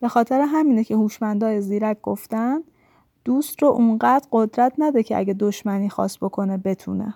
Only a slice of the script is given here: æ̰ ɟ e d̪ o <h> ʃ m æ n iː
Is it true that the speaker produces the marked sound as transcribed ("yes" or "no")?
no